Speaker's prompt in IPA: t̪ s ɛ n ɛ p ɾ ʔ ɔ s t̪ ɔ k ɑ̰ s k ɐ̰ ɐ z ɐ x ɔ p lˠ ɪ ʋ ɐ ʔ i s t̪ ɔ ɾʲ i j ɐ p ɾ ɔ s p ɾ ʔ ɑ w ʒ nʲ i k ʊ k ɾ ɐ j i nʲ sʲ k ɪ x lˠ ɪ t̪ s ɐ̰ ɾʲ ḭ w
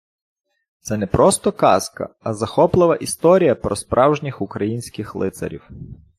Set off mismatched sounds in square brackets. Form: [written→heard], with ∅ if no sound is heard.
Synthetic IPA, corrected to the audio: t̪ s ɛ n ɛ p ɾ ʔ ɔ s t̪ ɔ k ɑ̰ s k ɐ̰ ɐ z ɐ x ɔ p lˠ ɪ ʋ ɐ ʔ i s t̪ ɔ ɾʲ i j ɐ p ɾ ɔ s p ɾ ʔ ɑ w ʒ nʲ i [k→x] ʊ k ɾ ɐ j i nʲ sʲ k ɪ x lˠ ɪ t̪ s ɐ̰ ɾʲ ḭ w